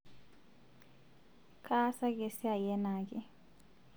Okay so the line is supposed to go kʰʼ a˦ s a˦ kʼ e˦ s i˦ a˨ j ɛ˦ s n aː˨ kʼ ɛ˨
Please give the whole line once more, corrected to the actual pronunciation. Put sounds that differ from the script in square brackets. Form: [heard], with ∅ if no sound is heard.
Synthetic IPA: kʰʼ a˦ s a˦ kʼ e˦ s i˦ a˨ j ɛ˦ [∅] n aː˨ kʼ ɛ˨